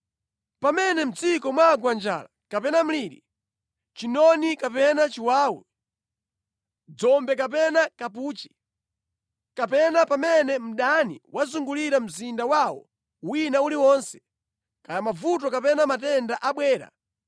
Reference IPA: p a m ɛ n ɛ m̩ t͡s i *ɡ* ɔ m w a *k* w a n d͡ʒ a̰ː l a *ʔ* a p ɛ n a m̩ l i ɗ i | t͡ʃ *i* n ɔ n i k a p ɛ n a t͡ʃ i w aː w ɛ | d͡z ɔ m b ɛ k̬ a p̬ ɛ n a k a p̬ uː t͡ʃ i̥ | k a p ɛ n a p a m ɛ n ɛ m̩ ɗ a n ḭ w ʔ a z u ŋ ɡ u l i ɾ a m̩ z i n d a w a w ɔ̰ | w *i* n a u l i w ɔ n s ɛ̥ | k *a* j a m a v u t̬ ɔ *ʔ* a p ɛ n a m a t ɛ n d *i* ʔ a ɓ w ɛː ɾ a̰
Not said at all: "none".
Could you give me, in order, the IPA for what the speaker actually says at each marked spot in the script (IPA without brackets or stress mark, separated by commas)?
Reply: k, ɡ, k, i, i, a, k, a